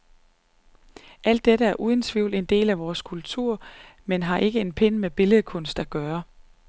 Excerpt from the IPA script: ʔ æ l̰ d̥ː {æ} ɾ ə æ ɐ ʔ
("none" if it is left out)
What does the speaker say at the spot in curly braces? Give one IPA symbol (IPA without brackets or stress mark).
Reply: e